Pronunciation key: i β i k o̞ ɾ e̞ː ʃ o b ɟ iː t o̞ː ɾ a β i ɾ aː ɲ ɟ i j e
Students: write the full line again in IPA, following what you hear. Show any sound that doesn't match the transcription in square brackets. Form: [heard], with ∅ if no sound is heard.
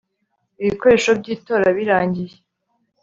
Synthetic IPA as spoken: i β i k o̞ ɾ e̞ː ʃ o b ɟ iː t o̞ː ɾ a β i ɾ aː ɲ ɟ i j e